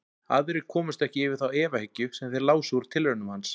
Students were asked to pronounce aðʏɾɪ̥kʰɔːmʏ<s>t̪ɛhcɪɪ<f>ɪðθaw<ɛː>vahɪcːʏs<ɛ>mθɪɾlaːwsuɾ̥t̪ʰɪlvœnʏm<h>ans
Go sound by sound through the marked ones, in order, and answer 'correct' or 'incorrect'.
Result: correct, incorrect, correct, correct, correct

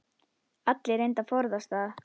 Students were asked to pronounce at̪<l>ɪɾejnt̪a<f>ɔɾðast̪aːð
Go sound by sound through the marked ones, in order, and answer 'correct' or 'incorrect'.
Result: correct, correct

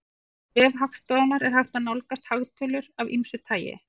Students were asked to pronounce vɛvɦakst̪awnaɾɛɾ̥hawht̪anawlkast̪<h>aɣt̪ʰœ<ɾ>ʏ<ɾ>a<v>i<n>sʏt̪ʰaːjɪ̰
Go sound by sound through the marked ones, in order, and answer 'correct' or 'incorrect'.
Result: correct, incorrect, correct, correct, incorrect

